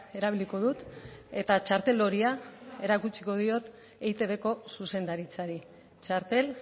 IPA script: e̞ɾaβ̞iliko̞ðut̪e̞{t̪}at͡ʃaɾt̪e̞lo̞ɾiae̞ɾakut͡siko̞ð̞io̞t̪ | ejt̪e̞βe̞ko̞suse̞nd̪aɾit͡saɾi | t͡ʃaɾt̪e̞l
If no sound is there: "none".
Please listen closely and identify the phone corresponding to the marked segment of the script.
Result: t̪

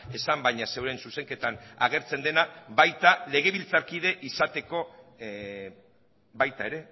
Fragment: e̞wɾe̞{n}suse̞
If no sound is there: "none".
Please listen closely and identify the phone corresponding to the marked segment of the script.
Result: n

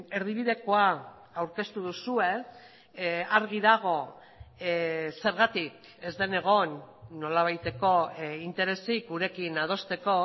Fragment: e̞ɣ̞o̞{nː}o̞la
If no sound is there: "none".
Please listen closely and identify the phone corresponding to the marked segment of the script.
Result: nː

